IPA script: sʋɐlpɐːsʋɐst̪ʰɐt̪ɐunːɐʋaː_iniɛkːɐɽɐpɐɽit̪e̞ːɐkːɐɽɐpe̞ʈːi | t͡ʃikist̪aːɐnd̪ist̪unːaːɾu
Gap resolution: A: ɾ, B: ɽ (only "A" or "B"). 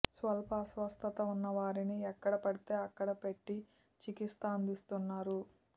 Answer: A